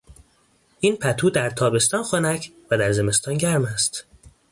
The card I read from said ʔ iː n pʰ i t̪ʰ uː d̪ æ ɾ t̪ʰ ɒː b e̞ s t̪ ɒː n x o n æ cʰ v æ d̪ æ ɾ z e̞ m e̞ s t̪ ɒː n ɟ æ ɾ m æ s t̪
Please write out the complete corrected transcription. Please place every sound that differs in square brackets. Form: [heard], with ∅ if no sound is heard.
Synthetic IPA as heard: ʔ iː n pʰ [æ] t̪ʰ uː d̪ æ ɾ t̪ʰ ɒː b e̞ s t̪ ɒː n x o n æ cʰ v æ d̪ æ ɾ z e̞ m e̞ s t̪ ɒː n ɟ æ ɾ m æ s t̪